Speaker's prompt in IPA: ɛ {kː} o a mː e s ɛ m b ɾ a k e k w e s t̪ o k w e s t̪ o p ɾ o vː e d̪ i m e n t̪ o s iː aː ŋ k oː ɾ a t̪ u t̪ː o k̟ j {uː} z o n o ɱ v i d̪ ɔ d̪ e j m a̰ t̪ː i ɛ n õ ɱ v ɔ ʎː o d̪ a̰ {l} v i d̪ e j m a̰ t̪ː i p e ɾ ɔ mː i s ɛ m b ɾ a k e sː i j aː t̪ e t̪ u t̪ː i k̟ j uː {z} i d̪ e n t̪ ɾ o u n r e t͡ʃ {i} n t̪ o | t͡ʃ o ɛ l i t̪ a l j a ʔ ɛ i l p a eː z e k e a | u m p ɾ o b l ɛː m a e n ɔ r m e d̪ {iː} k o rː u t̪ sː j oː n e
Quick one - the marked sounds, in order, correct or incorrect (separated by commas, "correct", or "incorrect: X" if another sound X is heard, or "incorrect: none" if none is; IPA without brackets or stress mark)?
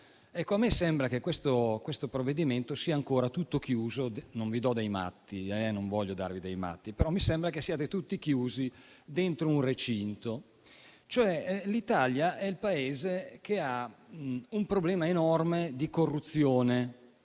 correct, correct, incorrect: r, correct, correct, incorrect: i